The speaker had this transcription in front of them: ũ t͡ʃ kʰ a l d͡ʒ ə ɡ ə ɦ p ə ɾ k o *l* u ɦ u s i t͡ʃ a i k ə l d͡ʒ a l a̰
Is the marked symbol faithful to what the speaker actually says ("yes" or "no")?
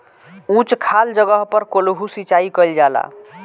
yes